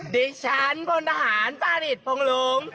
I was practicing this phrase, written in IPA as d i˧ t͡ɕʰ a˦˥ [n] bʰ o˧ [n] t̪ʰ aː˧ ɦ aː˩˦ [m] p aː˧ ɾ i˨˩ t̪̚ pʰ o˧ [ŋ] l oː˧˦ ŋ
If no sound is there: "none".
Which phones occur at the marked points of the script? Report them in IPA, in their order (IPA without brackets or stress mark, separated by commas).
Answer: n, n, n, ŋ